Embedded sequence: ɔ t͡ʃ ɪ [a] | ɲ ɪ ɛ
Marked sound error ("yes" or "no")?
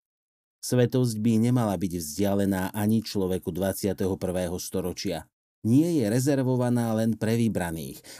no